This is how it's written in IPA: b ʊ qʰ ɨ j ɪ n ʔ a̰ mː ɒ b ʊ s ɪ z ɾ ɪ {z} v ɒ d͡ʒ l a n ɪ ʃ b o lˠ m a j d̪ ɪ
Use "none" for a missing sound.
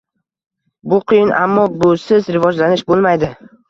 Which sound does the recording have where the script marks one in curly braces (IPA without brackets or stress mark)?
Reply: none